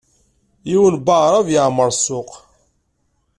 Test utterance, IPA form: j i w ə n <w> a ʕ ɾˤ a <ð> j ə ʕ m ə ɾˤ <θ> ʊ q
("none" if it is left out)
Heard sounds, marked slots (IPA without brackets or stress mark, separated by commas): b, v, s